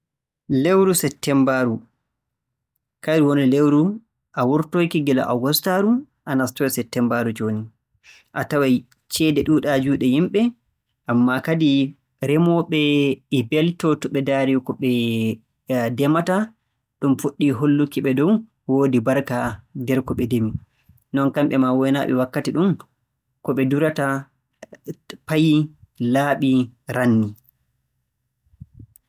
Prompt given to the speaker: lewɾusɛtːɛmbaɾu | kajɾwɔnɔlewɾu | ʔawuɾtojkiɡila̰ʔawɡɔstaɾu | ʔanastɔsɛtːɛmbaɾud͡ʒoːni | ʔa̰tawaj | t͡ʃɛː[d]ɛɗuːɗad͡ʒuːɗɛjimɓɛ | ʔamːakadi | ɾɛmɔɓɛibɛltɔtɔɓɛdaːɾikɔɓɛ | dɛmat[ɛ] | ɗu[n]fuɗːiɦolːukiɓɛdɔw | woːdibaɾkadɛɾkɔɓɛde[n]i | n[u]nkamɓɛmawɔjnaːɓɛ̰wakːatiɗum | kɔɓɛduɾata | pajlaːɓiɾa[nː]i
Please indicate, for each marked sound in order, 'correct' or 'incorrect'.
correct, incorrect, incorrect, incorrect, incorrect, correct

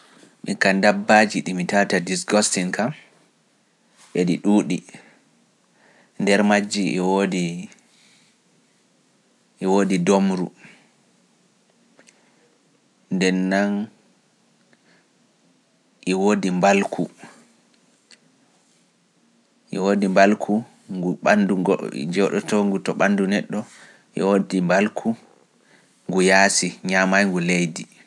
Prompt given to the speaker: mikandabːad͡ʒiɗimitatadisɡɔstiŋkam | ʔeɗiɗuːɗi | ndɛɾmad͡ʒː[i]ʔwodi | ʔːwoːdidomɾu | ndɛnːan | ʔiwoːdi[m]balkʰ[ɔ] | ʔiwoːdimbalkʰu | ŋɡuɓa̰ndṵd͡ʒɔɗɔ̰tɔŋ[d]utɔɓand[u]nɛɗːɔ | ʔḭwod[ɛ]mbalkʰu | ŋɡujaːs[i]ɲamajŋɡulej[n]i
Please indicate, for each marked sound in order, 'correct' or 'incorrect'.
correct, correct, incorrect, incorrect, correct, incorrect, correct, incorrect

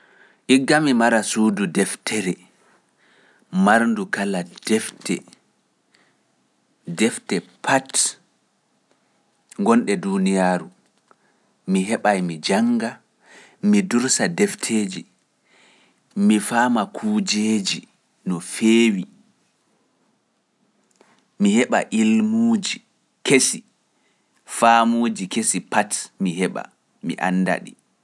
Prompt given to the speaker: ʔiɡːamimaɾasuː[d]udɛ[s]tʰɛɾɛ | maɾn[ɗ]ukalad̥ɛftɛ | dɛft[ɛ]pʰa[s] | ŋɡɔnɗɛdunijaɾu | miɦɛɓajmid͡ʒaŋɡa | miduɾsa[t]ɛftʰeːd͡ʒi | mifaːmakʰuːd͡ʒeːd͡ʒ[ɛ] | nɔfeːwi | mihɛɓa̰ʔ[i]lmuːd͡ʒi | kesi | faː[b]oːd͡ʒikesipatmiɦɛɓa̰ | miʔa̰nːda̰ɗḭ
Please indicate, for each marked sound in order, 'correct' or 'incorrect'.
correct, incorrect, incorrect, correct, incorrect, incorrect, incorrect, correct, incorrect

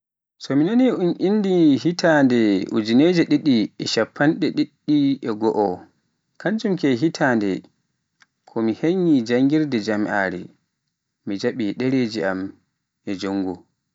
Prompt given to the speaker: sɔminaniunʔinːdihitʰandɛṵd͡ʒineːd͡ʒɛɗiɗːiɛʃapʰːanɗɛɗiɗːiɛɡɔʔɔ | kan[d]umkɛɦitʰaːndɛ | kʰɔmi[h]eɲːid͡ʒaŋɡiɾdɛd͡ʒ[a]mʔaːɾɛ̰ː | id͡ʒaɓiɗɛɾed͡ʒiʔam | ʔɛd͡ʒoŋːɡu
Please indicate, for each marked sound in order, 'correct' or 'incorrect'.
incorrect, correct, correct

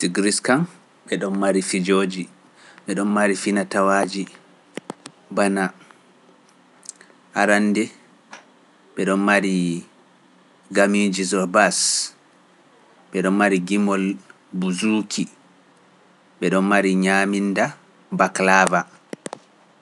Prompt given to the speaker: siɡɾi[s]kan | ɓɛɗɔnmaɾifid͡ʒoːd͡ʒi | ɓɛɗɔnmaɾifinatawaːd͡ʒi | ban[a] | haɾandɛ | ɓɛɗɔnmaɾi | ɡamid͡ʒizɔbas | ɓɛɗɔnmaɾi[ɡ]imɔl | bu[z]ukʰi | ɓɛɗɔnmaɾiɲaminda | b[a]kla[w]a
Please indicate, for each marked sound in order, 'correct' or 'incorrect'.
correct, correct, correct, correct, correct, incorrect

